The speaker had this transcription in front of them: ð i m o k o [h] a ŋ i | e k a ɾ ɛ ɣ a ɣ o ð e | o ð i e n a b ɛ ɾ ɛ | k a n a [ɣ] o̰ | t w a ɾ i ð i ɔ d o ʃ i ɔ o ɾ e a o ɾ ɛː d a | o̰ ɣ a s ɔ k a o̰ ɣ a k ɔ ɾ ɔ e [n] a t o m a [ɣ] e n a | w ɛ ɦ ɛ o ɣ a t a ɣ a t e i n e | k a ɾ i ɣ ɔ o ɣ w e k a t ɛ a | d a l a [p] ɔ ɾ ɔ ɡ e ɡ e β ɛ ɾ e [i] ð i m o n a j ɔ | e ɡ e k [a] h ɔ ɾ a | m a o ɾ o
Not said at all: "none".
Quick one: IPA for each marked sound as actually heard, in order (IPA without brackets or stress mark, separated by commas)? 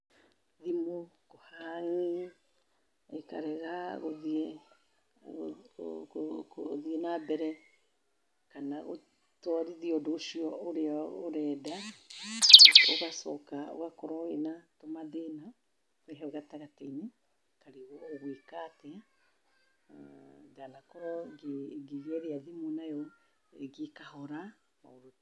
h, ɣ, n, ð, k, a, a